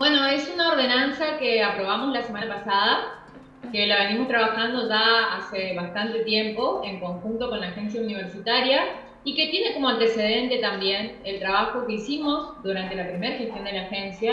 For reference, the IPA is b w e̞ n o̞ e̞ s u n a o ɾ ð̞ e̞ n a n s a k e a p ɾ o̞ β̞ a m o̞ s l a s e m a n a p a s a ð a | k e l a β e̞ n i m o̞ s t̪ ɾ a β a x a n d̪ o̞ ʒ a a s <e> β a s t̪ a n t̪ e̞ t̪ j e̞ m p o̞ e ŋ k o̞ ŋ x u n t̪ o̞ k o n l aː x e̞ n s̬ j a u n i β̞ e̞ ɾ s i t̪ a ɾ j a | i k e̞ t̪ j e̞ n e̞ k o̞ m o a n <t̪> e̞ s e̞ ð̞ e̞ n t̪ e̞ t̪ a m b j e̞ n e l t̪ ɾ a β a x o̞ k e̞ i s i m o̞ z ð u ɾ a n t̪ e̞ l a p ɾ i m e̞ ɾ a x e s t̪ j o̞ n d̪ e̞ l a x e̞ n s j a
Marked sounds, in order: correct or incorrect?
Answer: correct, correct

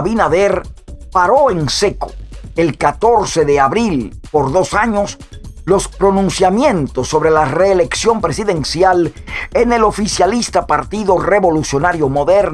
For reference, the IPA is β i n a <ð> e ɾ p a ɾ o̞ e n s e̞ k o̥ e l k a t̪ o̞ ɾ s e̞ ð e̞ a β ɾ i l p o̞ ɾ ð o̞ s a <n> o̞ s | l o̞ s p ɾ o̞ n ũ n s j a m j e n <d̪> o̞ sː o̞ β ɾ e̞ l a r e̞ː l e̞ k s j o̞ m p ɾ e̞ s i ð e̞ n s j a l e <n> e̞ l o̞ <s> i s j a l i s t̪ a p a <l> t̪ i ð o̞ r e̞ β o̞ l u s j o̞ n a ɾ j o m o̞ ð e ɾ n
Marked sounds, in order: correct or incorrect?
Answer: correct, incorrect: ɲ, incorrect: t̪, correct, incorrect: f, incorrect: ɾ

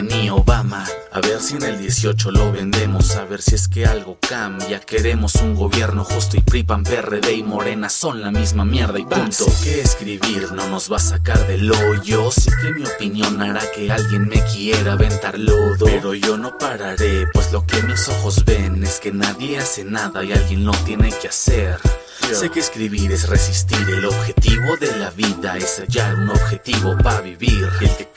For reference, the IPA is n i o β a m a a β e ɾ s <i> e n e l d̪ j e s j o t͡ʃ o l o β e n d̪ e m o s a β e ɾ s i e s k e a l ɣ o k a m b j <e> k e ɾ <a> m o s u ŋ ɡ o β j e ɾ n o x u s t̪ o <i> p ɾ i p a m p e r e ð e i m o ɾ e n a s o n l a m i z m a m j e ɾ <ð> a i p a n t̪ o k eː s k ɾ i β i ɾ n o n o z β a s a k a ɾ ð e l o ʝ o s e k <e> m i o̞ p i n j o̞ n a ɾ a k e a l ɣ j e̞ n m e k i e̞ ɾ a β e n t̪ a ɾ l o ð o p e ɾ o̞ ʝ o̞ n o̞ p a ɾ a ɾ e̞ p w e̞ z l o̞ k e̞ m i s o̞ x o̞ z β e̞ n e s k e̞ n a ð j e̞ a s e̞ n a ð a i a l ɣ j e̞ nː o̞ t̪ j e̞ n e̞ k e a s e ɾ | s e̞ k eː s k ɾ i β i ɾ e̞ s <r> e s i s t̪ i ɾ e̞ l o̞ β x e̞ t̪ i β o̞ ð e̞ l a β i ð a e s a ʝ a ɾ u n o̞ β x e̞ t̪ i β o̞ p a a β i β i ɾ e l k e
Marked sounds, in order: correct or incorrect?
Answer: correct, incorrect: a, incorrect: e, correct, correct, correct, correct

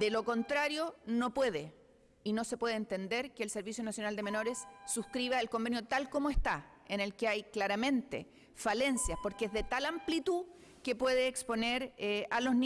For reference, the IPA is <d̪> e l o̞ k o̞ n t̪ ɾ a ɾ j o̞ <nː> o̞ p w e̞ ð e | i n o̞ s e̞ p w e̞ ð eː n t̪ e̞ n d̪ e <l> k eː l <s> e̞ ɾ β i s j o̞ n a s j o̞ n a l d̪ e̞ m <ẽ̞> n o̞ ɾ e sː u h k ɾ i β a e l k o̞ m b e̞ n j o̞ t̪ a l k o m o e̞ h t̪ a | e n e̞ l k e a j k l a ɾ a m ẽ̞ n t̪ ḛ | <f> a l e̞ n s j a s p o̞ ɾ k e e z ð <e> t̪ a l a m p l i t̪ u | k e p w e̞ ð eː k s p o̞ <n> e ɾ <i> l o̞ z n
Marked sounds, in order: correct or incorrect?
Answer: correct, incorrect: n, incorrect: ɾ, correct, incorrect: e̞, correct, correct, correct, incorrect: a

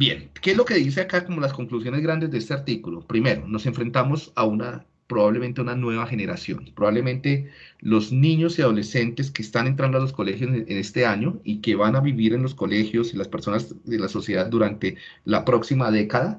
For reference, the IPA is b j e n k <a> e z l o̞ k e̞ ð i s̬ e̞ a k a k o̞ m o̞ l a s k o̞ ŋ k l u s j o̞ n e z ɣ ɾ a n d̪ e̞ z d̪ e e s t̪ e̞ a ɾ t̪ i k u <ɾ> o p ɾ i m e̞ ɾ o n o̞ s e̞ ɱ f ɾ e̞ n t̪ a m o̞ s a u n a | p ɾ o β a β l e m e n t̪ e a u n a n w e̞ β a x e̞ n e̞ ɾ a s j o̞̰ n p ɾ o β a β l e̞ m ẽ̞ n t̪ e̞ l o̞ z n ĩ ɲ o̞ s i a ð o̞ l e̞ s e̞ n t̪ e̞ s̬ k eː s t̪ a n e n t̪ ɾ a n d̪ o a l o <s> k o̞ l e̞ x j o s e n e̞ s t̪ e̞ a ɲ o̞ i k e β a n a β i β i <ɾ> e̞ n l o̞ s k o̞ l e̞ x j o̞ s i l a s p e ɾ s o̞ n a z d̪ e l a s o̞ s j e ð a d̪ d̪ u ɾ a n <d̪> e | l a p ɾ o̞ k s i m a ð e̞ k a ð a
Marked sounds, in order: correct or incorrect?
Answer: incorrect: e, incorrect: l, correct, correct, incorrect: t̪

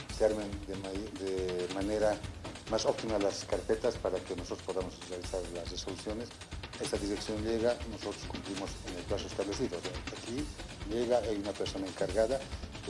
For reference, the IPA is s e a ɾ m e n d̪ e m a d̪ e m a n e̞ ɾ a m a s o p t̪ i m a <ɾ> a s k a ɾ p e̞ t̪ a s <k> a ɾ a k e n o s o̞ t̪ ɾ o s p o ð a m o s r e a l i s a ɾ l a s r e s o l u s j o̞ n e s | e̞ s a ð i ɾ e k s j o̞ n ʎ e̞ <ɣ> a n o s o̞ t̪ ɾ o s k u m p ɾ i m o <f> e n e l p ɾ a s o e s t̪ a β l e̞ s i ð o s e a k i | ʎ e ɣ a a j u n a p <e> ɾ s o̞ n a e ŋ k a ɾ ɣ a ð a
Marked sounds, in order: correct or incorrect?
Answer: incorrect: l, incorrect: p, correct, incorrect: s, correct

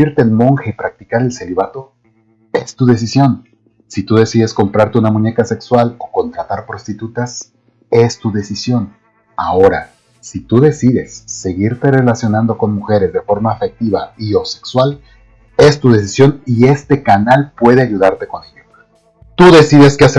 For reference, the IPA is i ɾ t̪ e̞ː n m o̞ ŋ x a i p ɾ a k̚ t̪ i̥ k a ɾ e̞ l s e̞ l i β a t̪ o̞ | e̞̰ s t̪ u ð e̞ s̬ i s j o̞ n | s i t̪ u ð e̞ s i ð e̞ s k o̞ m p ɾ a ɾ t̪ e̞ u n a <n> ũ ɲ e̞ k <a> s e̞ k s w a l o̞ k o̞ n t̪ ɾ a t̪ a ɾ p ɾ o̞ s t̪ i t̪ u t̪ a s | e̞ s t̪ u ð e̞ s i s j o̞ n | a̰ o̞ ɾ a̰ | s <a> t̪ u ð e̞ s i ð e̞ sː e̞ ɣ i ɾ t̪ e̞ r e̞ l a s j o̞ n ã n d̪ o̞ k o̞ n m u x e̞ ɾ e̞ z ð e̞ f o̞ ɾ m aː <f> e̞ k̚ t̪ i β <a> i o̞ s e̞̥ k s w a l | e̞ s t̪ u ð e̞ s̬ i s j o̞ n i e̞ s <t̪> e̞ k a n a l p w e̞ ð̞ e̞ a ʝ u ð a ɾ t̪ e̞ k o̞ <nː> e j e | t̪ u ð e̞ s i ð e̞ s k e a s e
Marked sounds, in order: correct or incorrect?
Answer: incorrect: m, correct, incorrect: i, correct, correct, correct, incorrect: n

